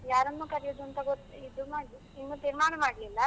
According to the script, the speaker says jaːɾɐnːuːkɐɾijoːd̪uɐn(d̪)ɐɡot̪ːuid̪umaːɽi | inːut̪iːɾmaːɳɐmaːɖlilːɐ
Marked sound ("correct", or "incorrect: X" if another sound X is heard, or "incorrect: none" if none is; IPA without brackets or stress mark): incorrect: t̪